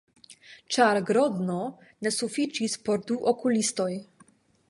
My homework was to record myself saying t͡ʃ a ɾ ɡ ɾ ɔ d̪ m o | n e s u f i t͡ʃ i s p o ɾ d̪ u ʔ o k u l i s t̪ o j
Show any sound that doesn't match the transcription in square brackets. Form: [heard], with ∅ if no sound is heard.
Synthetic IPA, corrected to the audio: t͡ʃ a ɾ ɡ ɾ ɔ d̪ [n] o | n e s u f i t͡ʃ i s p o ɾ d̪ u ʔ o k u l i s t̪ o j